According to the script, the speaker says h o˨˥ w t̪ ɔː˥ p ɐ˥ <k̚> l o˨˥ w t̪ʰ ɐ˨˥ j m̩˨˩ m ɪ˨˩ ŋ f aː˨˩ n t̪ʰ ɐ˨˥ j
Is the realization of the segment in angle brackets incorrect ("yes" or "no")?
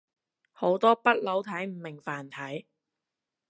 yes